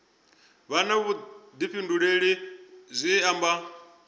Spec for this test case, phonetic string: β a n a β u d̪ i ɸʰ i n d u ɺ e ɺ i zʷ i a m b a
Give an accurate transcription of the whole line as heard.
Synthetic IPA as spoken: β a n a β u d̪ i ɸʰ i n d u ɺ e ɺ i zʷ i a m b a